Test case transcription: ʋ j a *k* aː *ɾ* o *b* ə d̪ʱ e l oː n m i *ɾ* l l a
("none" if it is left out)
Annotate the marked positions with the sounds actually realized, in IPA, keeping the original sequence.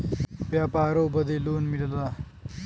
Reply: p, ɾ, b, none

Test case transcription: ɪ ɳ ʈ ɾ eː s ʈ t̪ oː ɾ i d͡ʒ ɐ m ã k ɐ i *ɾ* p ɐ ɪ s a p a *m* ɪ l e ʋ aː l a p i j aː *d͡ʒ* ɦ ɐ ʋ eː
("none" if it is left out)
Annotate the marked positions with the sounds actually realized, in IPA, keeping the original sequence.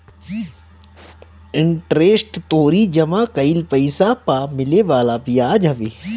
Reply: l, m, d͡ʒ

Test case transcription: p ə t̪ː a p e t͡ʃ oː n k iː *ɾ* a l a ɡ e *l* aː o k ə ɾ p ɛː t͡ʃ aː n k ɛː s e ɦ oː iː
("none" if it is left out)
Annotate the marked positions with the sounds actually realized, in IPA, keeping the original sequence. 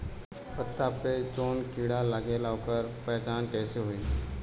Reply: ɽ, l

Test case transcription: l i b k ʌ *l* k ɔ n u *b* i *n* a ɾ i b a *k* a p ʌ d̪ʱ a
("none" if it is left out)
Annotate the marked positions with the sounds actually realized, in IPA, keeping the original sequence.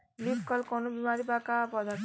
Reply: l, b, m, k

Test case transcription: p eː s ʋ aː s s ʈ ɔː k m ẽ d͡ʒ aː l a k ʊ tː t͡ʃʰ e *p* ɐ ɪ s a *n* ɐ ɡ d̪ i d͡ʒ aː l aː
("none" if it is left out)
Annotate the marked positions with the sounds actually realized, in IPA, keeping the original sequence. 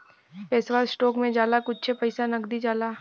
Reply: p, n

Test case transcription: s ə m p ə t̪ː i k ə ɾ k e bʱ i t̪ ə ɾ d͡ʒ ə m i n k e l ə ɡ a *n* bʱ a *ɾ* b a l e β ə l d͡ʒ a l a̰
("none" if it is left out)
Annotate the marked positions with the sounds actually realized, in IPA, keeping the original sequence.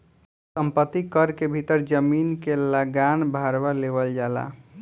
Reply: n, ɾ

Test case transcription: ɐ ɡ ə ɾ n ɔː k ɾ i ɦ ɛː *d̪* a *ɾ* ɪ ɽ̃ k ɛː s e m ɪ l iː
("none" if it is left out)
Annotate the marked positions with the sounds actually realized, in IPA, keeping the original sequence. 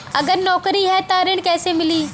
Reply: t̪, ɾ

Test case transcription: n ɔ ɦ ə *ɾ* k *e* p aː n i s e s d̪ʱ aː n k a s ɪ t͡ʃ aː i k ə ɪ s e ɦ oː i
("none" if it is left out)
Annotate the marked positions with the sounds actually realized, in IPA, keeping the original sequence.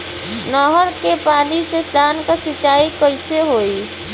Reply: ɾ, e

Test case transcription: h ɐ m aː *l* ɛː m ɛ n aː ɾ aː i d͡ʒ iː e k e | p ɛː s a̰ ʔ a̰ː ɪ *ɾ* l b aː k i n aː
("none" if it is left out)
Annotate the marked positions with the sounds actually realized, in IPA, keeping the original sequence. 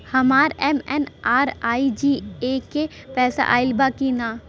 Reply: ɾ, none

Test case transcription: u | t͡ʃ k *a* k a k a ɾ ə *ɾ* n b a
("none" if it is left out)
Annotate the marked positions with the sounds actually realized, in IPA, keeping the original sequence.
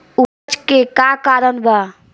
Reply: e, none

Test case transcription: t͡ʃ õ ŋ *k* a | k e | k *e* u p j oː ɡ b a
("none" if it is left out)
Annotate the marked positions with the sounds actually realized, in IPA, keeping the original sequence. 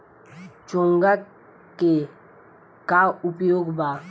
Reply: ɡ, a

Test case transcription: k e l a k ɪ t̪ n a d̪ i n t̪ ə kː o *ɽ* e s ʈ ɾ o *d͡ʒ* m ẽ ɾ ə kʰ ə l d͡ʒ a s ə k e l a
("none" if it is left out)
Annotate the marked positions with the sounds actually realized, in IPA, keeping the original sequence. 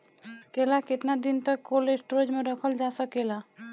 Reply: l, d͡ʒ

